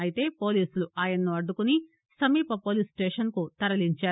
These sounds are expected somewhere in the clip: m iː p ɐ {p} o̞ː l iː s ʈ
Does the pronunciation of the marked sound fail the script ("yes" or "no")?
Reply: no